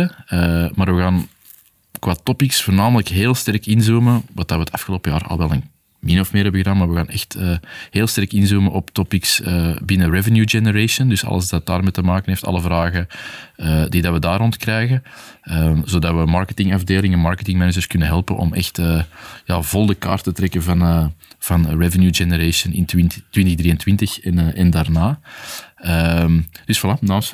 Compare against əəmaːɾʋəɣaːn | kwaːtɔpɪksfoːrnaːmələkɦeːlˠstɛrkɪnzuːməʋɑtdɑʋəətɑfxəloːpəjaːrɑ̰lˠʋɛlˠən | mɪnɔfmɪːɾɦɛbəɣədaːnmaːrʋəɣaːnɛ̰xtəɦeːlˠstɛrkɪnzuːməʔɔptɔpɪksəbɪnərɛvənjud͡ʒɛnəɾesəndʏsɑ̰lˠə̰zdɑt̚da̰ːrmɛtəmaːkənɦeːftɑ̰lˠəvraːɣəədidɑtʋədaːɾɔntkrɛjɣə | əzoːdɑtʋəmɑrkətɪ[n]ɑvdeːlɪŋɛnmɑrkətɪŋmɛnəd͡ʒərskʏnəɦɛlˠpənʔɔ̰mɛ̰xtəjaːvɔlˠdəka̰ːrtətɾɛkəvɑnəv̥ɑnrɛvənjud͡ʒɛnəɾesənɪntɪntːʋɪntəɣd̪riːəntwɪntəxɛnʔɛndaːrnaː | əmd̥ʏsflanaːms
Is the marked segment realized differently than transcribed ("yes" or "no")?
yes